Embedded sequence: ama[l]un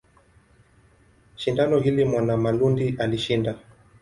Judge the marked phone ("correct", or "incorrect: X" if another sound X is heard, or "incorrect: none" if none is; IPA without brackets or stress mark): correct